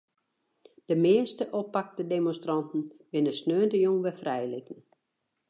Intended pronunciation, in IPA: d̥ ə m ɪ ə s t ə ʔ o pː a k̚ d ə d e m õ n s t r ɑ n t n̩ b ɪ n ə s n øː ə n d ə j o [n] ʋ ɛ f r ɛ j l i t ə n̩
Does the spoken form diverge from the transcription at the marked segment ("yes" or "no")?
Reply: yes